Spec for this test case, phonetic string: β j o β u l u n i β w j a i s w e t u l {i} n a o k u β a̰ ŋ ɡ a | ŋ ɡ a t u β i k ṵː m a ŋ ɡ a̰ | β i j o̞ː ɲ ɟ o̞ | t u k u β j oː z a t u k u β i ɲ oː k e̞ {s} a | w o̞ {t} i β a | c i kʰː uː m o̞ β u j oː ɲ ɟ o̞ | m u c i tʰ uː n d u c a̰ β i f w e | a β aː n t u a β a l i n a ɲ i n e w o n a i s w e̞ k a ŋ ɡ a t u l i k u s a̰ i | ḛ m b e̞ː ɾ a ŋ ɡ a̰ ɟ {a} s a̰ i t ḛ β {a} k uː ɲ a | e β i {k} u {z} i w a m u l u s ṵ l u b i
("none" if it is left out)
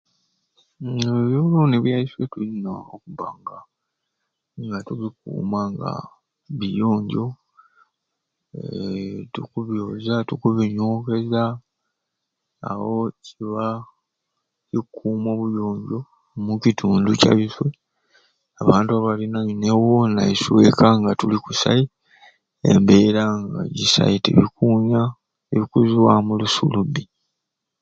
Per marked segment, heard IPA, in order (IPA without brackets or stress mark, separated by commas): i, z, c, i, i, k, z